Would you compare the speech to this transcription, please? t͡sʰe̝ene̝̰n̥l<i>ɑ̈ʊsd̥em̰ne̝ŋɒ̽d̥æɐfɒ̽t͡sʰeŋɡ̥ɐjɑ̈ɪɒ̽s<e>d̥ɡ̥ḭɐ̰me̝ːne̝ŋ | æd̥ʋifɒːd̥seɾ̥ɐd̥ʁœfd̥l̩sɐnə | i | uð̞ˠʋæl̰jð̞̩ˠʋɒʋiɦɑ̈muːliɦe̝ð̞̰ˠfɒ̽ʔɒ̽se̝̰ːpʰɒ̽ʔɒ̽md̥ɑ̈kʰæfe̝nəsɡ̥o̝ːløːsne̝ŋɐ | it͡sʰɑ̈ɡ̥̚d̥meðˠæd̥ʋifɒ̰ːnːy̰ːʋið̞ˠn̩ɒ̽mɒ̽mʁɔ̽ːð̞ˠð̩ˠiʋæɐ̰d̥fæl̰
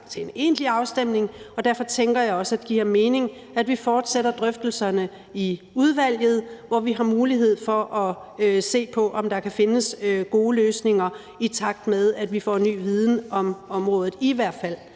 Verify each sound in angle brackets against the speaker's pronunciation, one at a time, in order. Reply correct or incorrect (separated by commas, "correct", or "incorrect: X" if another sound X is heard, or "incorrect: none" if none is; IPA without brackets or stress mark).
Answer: correct, incorrect: æ